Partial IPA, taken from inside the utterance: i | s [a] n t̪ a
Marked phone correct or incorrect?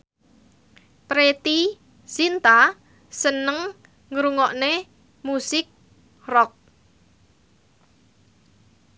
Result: incorrect